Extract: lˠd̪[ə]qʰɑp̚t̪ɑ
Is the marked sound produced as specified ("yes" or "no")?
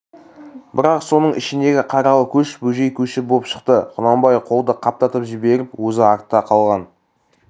yes